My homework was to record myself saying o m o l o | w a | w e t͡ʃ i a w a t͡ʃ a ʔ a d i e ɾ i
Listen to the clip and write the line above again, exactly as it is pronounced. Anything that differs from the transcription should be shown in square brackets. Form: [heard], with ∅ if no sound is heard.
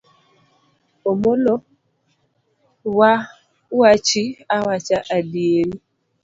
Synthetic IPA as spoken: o m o l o | w a | w [a] t͡ʃ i a w a t͡ʃ a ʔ a d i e ɾ i